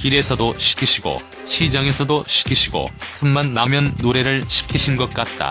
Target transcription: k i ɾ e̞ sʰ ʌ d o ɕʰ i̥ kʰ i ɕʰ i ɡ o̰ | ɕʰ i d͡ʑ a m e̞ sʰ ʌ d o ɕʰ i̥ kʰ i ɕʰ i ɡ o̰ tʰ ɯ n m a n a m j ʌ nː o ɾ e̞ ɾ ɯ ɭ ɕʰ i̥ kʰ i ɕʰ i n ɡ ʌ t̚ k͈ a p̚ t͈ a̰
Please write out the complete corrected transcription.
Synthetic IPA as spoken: k i ɾ e̞ sʰ ʌ d o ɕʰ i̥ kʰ i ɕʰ i ɡ o̰ | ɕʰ i d͡ʑ a ŋ e̞ sʰ ʌ d o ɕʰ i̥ kʰ i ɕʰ i ɡ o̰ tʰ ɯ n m a nː a m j ʌ nː o ɾ e̞ ɾ ɯ ɭ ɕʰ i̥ kʰ i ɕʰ i n ɡ ʌ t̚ k͈ a t̚ t͈ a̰